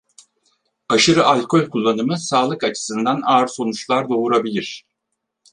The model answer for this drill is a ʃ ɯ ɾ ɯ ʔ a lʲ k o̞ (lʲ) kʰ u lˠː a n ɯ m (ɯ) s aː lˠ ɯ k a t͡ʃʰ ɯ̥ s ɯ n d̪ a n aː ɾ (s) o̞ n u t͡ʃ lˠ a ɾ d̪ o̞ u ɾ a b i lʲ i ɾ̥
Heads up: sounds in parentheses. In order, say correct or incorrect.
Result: correct, correct, correct

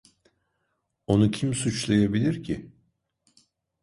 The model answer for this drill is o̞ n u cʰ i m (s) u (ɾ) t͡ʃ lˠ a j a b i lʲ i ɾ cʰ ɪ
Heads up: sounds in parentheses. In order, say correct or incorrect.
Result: correct, incorrect: none

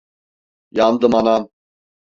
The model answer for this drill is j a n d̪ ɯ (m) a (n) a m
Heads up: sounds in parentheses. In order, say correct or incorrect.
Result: correct, correct

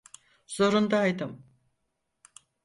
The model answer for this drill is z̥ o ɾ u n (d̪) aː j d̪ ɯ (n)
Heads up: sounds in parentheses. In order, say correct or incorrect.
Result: correct, incorrect: m

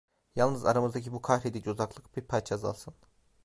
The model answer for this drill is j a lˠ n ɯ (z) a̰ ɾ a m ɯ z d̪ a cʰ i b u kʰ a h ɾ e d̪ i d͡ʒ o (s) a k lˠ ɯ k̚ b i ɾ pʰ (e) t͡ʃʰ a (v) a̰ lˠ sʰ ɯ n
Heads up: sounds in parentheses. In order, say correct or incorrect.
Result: correct, incorrect: z, incorrect: a, incorrect: z

